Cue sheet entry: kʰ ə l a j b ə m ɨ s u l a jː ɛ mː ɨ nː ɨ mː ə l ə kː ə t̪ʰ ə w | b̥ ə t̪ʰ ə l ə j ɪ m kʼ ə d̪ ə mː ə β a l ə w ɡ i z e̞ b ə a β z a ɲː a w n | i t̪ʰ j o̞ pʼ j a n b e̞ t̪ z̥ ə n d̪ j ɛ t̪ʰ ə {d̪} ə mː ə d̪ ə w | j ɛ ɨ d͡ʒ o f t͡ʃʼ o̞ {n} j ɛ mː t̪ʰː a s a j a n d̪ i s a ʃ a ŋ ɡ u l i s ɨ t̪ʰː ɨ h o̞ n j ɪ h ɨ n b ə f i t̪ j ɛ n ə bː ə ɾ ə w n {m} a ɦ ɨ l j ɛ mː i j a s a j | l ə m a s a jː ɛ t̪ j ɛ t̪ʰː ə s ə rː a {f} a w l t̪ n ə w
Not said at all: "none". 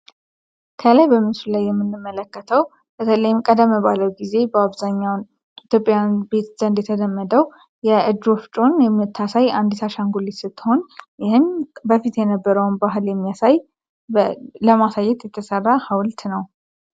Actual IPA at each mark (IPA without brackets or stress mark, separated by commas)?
d̪, n, b, h